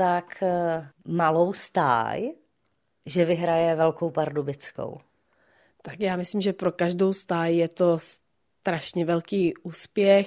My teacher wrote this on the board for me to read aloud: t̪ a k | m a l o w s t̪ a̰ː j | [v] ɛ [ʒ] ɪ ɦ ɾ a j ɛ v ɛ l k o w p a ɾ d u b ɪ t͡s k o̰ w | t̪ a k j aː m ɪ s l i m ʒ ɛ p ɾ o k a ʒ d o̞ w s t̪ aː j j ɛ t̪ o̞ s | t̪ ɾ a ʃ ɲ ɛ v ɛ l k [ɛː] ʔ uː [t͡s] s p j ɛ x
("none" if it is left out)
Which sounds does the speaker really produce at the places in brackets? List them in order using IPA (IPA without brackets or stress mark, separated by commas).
ʒ, v, iː, none